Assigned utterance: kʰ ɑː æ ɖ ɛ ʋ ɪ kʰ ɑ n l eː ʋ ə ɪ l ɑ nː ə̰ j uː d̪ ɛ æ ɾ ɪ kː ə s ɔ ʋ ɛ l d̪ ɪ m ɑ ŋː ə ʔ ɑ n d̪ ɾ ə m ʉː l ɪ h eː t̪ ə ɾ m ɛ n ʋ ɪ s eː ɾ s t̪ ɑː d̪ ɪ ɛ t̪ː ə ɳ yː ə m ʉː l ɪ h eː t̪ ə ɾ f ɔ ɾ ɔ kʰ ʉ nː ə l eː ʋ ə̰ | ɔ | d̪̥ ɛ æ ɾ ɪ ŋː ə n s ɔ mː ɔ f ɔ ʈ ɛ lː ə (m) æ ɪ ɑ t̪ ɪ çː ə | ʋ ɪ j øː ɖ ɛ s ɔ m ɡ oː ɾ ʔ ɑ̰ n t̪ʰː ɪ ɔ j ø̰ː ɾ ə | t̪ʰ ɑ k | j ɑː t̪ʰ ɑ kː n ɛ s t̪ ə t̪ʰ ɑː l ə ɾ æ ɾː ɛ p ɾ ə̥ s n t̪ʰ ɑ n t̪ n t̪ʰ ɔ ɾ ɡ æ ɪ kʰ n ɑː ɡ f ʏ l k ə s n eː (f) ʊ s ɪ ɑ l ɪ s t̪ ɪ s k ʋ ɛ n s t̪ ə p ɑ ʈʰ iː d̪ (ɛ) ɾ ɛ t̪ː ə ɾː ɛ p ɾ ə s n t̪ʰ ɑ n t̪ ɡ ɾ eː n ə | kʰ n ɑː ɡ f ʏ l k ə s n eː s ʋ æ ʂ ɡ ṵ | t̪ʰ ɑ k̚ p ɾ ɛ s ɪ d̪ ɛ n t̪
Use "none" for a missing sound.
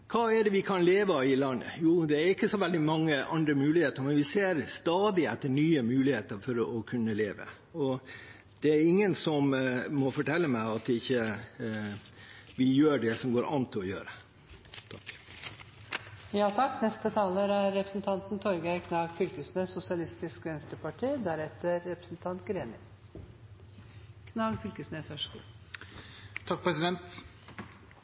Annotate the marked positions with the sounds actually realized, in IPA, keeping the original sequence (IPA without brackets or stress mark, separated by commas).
m, s, æ